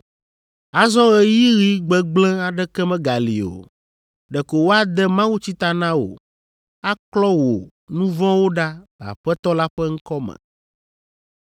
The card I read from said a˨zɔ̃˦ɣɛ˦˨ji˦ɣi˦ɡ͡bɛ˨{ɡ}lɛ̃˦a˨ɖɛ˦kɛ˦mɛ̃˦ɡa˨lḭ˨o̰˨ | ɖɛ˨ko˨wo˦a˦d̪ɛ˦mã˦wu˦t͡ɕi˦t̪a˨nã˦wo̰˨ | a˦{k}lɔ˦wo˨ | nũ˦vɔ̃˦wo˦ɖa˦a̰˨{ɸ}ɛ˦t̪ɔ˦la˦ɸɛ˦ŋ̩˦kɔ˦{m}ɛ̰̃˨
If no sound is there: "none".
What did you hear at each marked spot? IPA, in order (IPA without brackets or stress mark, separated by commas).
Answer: ɡ͡b, k, ɸ, m